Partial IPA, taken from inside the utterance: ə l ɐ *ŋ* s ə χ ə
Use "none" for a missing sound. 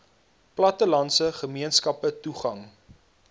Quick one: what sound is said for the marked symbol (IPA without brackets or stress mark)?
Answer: n